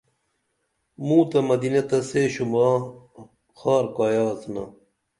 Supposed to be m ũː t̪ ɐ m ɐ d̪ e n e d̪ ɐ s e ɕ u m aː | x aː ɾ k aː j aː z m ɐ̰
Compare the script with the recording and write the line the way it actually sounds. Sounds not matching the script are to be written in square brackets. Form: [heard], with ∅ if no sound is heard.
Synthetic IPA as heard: m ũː t̪ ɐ m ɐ d̪ [i] n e [t̪] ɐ s e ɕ u m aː | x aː ɾ k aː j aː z [n] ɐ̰

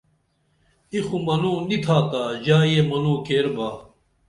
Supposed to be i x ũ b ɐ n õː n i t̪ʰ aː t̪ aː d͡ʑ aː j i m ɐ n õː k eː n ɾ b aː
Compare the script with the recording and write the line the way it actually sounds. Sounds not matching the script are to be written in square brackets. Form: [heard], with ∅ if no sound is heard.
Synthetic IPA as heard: i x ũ [m] ɐ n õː n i t̪ʰ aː t̪ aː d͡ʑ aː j [e] m ɐ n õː k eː [∅] ɾ b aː

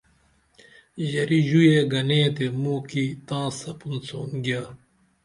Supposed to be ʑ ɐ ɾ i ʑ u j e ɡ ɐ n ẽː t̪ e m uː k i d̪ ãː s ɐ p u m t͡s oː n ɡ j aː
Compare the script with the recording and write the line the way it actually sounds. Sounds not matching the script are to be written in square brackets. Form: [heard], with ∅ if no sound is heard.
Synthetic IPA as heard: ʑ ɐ ɾ i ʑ u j e ɡ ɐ n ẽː t̪ e m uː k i [t̪] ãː s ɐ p u [n] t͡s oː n ɡ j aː

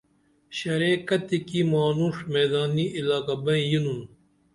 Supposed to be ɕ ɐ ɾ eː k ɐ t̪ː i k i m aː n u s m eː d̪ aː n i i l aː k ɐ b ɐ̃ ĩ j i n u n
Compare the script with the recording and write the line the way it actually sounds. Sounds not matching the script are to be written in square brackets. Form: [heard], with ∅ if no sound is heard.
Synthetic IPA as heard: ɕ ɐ ɾ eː k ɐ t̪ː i k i m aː n u [ʂ] m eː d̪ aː n i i l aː k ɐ b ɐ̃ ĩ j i n u n

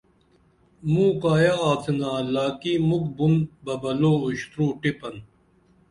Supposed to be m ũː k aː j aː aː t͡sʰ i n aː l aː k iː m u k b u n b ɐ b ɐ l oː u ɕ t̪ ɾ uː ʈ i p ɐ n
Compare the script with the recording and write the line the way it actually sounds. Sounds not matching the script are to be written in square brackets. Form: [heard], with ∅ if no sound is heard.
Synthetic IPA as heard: m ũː k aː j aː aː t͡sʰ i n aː l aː k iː m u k b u n b ɐ b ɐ l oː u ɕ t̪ ɾ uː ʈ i p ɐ n

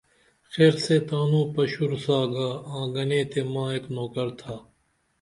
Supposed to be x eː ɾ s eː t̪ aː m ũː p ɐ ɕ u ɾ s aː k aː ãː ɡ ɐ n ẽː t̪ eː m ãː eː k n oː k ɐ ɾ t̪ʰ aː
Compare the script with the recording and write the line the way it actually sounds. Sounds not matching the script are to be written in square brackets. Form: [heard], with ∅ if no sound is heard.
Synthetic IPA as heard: x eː ɾ s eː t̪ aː [n] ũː p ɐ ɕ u ɾ s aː [ɡ] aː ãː ɡ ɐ n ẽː t̪ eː m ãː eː k n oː k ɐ ɾ t̪ʰ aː

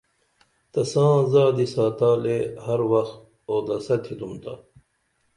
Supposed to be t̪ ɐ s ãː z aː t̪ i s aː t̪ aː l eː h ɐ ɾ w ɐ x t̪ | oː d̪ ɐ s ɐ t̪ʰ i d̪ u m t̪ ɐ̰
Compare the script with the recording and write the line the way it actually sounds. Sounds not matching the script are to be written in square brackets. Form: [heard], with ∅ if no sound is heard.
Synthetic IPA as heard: t̪ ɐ s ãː z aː [d̪] i s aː t̪ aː l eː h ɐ ɾ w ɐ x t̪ | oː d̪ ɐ s ɐ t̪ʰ i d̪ u m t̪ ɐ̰

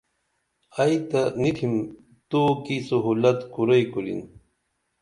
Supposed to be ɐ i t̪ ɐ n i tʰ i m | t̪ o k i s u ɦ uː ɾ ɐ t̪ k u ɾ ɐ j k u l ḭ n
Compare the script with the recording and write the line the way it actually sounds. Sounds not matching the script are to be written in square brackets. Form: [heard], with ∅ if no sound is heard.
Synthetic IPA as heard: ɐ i t̪ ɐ n i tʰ i m | t̪ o k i s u ɦ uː [l] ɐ t̪ k u ɾ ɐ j k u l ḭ n

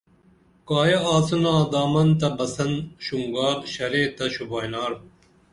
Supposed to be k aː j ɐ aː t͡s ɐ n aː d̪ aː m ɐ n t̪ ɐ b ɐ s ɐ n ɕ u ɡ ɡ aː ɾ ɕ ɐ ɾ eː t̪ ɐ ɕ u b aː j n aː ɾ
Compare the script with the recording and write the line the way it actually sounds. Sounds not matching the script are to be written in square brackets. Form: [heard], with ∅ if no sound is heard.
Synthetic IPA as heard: k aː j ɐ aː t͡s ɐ n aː d̪ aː m ɐ n t̪ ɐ b ɐ s ɐ n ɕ u [ŋ] ɡ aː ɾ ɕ ɐ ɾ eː t̪ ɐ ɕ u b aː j n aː ɾ

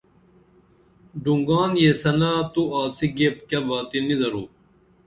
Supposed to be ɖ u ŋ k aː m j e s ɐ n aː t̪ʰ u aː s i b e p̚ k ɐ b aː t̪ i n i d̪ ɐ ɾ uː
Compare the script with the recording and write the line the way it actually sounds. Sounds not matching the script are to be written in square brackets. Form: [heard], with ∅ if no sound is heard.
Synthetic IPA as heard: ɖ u ŋ [ɡ] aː [n] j e s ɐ n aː [t̪] u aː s i [ɡ] e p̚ k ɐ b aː t̪ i n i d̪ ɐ ɾ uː

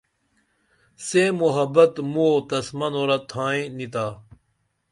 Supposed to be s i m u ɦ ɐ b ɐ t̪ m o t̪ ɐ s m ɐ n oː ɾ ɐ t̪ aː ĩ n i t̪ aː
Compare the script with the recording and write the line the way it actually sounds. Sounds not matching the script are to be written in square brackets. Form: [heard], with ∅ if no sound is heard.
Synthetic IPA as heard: s [e] m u ɦ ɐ b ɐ t̪ m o t̪ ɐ s m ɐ n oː ɾ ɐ [t̪ʰ] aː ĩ n i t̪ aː

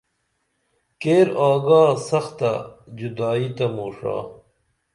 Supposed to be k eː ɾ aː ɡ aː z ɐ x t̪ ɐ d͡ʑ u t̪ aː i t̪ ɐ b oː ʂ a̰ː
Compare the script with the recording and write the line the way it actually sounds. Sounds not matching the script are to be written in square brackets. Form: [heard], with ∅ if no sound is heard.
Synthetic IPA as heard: k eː ɾ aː ɡ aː [s] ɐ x t̪ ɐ d͡ʑ u [d̪] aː i t̪ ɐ [m] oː ʂ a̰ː

